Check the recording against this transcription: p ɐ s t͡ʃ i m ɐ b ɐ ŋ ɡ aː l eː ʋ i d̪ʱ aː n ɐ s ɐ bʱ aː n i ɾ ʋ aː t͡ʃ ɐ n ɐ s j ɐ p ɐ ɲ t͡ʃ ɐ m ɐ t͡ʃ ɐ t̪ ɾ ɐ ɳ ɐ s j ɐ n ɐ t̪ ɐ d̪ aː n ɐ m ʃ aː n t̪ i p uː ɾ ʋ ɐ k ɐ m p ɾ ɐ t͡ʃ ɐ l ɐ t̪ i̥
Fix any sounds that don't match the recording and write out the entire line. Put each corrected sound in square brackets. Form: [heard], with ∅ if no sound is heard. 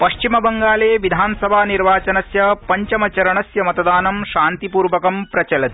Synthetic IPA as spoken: p ɐ [ʃ] t͡ʃ i m ɐ b ɐ ŋ ɡ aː l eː ʋ i d̪ʱ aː n ɐ s ɐ bʱ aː n i ɾ ʋ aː t͡ʃ ɐ n ɐ s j ɐ p ɐ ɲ t͡ʃ ɐ m ɐ t͡ʃ ɐ [∅] ɾ ɐ ɳ ɐ s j ɐ [m] ɐ t̪ ɐ d̪ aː n ɐ m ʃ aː n t̪ i p uː ɾ ʋ ɐ k ɐ m p ɾ ɐ t͡ʃ ɐ l ɐ t̪ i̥